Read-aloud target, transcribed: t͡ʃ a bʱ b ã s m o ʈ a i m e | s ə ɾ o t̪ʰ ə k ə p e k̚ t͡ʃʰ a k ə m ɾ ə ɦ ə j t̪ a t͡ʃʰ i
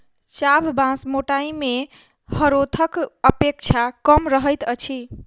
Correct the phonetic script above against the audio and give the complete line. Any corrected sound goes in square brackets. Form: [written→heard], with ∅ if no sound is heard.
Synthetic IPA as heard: t͡ʃ a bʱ b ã s m o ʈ a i m e | [s→h] ə ɾ o t̪ʰ ə k ə p e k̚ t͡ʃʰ a k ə m ɾ ə ɦ ə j t̪ [a→ə] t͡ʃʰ i